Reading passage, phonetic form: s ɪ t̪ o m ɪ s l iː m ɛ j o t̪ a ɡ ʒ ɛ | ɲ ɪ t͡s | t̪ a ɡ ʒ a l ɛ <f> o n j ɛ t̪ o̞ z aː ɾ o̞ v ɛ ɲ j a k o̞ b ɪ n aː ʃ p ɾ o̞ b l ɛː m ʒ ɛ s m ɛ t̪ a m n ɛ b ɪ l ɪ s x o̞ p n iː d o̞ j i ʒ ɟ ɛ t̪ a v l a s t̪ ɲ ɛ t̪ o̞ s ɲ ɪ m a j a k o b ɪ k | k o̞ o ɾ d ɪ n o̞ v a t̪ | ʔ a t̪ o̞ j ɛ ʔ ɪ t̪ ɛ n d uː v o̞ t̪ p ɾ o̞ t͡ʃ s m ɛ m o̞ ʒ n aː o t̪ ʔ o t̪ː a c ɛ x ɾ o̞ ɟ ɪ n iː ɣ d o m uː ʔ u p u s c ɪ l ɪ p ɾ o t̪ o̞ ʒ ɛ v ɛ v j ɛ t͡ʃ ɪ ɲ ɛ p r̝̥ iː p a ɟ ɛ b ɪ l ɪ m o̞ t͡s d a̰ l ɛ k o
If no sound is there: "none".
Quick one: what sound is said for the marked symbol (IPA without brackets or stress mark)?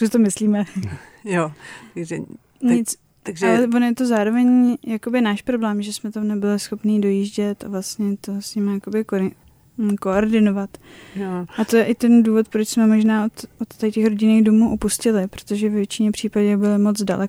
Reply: v